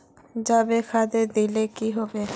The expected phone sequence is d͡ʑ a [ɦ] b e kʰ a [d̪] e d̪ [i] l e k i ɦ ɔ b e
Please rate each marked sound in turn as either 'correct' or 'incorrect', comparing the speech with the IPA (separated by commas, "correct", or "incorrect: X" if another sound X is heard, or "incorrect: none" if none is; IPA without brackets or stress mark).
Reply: incorrect: none, correct, correct